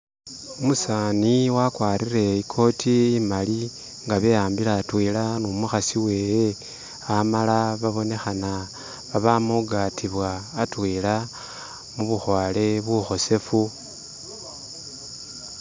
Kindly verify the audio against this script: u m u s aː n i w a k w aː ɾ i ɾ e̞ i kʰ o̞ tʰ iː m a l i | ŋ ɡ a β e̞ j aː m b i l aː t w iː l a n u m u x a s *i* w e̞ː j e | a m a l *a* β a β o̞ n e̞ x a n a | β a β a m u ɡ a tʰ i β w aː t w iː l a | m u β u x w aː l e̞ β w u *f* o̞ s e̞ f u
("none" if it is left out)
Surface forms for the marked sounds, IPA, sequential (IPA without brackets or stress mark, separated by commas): i, a, x